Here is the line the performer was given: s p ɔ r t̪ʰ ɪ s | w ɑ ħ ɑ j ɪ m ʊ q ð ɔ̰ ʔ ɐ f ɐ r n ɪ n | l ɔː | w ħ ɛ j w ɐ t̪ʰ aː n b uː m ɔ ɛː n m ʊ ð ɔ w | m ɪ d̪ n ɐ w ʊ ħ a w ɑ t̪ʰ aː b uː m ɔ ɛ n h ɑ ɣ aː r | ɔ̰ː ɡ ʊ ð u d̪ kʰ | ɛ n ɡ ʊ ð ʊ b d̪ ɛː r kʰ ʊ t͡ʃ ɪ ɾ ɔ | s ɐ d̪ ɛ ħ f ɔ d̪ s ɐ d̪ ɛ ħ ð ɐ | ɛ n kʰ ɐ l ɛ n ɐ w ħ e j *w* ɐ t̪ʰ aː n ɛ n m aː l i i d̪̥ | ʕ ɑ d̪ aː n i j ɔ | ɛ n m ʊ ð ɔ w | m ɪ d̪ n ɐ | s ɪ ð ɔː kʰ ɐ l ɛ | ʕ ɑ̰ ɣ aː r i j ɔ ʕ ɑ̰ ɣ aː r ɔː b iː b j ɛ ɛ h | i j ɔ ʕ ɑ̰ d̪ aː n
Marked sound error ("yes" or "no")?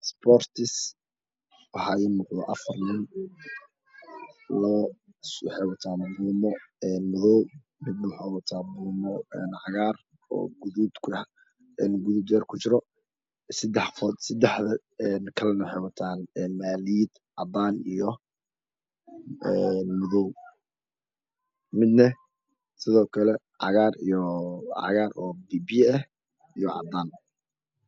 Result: no